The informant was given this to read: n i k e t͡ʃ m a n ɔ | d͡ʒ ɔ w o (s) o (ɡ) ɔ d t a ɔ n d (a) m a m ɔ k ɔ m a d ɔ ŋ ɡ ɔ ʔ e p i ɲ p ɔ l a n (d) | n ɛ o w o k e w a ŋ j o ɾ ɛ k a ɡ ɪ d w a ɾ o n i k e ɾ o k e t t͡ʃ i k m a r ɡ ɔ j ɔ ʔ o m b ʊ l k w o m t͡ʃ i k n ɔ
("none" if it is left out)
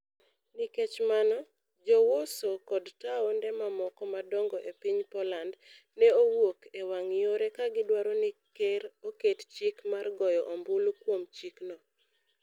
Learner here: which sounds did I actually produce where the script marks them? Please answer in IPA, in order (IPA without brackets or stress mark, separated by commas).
s, k, ɛ, d